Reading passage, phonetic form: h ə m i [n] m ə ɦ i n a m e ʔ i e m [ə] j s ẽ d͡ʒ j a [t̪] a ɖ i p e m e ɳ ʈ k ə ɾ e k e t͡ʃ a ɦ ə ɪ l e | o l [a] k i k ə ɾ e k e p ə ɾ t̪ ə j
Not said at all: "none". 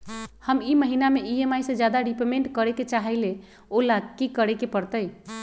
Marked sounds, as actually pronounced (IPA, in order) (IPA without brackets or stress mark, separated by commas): none, a, d̪, a